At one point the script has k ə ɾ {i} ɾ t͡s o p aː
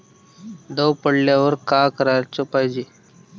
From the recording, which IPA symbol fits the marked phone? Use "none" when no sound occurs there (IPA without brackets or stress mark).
a